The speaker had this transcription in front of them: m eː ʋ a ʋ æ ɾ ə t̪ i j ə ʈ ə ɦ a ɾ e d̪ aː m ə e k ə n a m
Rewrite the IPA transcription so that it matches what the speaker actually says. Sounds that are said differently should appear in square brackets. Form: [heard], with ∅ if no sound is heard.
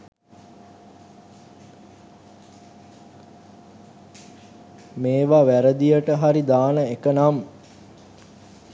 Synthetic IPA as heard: m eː ʋ a ʋ æ ɾ ə [d̪] i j ə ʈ ə ɦ a ɾ [i] d̪ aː [n] ə e k ə n a m